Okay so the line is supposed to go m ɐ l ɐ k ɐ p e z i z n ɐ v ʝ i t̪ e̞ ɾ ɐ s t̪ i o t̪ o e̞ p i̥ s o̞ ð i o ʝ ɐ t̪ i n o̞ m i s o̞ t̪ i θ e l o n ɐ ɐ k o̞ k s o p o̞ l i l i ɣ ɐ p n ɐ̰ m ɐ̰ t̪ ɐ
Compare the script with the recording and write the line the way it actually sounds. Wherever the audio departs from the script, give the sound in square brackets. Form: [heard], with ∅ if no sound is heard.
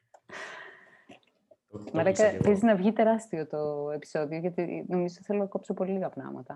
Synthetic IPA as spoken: m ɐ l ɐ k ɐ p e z i z n ɐ v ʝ i t̪ e̞ ɾ ɐ s t̪ i o t̪ o e̞ p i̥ s o̞ ð i o ʝ ɐ t̪ i n o̞ m i [z] o̞ t̪ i θ e l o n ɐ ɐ k o̞ [p] s o p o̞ l i l i ɣ ɐ p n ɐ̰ m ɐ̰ t̪ ɐ